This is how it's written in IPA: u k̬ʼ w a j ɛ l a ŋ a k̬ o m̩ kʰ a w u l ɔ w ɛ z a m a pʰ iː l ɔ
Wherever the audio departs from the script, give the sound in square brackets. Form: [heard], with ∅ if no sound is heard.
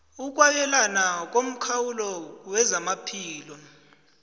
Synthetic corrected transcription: u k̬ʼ w a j ɛ l a [n] a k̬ o m̩ kʰ a w u l ɔ w ɛ z a m a pʰ iː l ɔ